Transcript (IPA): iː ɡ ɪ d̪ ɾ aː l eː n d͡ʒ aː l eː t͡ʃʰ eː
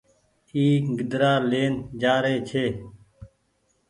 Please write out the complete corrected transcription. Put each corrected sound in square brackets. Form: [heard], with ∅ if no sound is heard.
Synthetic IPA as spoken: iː ɡ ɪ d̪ ɾ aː l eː n d͡ʒ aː [ɾ] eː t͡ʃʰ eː